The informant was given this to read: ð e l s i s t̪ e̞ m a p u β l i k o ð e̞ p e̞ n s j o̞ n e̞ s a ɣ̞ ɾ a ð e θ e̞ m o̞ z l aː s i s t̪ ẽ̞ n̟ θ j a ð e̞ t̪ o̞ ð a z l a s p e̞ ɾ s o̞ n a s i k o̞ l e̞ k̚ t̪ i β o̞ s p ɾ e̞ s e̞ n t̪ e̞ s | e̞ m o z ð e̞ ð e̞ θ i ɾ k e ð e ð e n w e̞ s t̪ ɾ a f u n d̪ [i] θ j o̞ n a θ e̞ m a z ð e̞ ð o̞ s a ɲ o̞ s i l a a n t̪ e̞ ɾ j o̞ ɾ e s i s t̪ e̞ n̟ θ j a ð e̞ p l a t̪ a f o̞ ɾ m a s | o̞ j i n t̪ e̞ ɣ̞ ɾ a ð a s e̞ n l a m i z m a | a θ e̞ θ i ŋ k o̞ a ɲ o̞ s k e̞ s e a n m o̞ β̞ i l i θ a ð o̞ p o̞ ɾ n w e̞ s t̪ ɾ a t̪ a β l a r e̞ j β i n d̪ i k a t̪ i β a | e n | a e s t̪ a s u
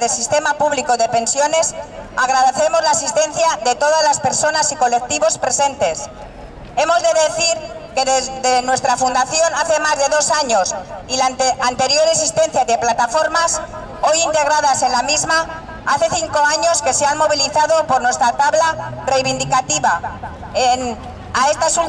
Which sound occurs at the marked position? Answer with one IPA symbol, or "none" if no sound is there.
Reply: a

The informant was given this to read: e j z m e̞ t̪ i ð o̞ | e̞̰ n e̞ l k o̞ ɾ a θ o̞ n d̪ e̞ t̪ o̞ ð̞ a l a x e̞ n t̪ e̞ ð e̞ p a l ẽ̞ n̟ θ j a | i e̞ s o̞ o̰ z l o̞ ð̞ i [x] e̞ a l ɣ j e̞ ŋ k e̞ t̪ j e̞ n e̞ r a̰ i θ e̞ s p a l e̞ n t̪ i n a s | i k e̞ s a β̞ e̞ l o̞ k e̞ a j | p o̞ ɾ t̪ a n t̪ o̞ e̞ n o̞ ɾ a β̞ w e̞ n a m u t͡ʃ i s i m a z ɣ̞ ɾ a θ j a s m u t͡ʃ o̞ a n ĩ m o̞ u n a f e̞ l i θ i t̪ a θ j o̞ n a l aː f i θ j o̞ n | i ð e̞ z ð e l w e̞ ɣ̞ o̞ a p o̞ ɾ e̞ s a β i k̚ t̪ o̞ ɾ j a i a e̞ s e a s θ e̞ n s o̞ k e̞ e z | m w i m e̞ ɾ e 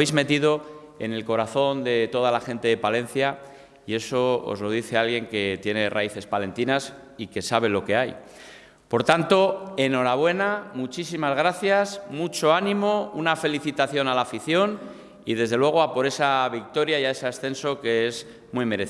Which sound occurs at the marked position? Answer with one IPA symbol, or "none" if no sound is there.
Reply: θ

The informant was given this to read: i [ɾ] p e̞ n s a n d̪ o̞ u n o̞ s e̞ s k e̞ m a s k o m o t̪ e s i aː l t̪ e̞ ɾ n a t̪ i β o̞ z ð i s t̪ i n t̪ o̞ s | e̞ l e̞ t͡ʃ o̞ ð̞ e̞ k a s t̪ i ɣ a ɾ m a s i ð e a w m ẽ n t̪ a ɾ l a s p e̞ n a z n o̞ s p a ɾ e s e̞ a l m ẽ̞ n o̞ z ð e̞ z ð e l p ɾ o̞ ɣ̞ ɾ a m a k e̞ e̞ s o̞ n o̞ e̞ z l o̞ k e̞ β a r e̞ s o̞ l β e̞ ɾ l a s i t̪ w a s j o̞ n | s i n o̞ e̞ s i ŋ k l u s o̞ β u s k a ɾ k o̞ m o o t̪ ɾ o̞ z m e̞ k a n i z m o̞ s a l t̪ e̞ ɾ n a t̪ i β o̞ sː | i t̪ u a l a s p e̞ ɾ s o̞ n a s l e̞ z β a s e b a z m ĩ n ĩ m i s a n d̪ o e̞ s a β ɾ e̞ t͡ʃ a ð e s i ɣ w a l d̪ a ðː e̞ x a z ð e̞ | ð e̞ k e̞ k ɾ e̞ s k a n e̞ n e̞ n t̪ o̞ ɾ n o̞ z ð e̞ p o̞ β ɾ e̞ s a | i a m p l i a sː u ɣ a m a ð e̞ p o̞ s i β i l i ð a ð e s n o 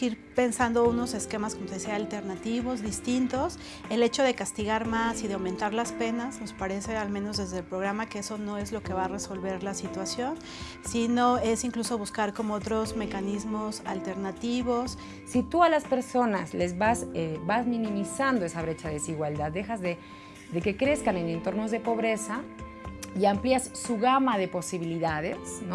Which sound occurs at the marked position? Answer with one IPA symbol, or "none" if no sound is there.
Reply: ɾ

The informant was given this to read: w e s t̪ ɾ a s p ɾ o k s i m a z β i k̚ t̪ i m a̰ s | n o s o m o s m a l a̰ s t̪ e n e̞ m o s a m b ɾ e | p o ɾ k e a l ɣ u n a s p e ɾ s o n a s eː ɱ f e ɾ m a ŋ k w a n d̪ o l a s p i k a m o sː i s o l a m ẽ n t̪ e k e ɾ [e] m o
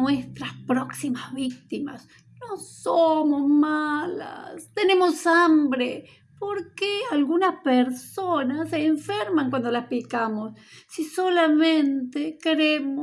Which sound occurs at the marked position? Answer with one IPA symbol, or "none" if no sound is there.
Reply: e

